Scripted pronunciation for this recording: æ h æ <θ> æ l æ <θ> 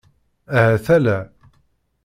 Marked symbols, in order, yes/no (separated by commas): yes, no